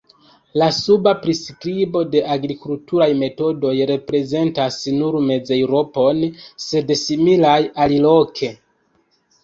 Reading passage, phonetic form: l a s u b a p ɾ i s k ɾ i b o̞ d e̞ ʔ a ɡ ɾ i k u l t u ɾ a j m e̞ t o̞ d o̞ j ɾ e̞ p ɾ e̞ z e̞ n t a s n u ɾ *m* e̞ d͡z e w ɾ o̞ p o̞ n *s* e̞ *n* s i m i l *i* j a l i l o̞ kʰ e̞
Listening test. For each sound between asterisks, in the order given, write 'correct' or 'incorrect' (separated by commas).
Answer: correct, correct, incorrect, incorrect